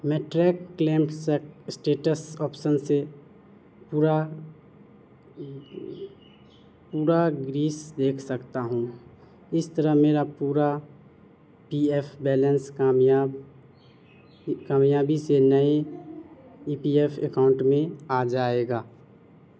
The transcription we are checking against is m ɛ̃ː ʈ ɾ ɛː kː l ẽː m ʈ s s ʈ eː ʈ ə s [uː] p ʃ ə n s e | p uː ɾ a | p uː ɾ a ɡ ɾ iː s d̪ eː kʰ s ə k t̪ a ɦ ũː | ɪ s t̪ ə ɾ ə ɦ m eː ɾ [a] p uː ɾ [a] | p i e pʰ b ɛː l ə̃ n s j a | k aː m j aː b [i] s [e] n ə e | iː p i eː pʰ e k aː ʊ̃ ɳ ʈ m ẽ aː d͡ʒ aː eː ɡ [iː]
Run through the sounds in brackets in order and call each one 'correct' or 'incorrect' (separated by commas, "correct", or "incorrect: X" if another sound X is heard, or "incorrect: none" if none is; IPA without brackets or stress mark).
incorrect: ɔː, correct, correct, correct, correct, incorrect: aː